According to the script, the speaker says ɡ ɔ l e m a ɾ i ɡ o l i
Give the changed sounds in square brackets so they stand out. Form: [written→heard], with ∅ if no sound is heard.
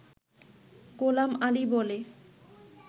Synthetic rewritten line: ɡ [ɔ→o] l [e→a] m a [ɾ→l] i [ɡ→b] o l [i→e]